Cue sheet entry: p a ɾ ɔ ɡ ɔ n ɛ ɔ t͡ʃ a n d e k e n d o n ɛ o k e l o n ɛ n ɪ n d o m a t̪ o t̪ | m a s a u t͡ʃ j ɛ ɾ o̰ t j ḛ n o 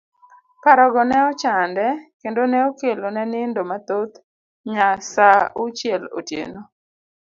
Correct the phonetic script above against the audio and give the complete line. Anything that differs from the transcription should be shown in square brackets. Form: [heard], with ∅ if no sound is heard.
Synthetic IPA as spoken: p a ɾ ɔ ɡ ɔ n ɛ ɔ t͡ʃ a n d [ɛ] k e n d o n ɛ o k e l o n ɛ n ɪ n d o m a t̪ o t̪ | [ɲ] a s a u t͡ʃ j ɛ [l] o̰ t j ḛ n o